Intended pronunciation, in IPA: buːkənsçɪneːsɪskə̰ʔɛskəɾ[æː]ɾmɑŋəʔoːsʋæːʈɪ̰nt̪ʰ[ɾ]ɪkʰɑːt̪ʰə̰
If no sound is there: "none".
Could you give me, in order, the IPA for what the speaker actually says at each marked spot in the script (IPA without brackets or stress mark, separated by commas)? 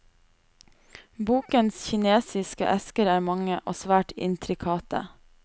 æː, ɾ